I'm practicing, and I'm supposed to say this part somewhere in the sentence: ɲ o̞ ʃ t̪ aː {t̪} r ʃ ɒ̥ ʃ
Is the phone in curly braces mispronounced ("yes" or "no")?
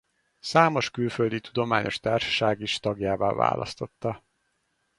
yes